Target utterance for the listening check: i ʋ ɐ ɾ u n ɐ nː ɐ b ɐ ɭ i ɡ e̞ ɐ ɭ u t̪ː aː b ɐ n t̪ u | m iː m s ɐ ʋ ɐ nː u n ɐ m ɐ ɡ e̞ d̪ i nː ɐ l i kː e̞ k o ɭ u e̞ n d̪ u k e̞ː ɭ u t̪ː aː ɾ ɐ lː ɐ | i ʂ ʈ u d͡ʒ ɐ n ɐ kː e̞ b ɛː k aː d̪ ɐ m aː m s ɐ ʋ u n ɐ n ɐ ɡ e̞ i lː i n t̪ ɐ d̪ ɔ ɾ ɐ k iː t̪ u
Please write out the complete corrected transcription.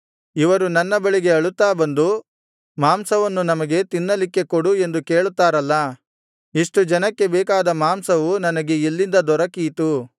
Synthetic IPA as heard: i ʋ ɐ ɾ u n ɐ nː ɐ b ɐ ɭ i ɡ e̞ ɐ ɭ u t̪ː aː b ɐ n d̪ u | m aː m s ɐ ʋ ɐ nː u n ɐ m ɐ ɡ e̞ t̪ i nː ɐ l i kː e̞ k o ɽ u e̞ n d̪ u k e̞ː ɭ u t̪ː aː ɾ ɐ lː ɐ | i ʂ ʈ u d͡ʒ ɐ n ɐ kː e̞ b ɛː k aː d̪ ɐ m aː m s ɐ ʋ u n ɐ n ɐ ɡ e̞ i lː i n d̪ ɐ d̪ ɔ ɾ ɐ k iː t̪ u